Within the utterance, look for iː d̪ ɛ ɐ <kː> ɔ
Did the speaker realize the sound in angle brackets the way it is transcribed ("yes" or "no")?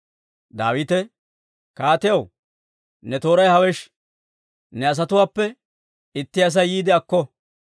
yes